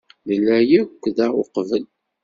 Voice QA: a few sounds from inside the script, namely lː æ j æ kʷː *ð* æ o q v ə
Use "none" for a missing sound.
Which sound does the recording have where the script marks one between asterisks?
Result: ð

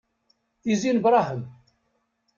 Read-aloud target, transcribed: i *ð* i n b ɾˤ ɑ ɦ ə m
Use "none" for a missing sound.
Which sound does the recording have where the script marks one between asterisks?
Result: z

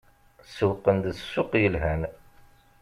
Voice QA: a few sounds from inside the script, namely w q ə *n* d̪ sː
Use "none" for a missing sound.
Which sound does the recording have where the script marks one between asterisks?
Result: n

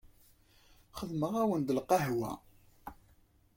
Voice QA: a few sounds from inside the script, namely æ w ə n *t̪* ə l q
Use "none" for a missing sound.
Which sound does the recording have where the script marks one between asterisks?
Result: d̪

